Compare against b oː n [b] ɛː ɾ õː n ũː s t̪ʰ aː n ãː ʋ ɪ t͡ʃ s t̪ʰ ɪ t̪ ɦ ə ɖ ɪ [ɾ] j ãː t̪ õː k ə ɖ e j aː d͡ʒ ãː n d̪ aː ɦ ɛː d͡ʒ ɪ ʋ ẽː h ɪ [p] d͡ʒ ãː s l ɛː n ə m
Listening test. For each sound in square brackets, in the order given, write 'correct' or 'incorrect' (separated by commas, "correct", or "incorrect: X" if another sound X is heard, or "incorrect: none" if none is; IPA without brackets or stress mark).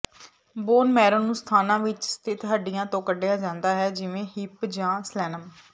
incorrect: m, incorrect: none, correct